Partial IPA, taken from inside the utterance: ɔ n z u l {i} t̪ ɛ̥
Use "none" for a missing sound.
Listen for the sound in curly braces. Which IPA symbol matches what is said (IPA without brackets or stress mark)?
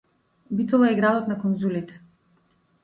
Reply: i